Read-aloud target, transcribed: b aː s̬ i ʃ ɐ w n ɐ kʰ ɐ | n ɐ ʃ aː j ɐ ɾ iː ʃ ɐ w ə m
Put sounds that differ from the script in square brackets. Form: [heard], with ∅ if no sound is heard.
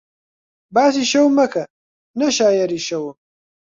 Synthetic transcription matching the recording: b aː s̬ i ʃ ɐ w [m] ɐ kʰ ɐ | n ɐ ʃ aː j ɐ ɾ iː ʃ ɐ w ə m